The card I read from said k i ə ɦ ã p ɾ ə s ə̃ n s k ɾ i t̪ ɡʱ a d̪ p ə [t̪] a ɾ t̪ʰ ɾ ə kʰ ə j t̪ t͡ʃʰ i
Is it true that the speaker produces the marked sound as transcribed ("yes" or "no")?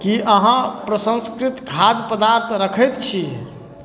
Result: no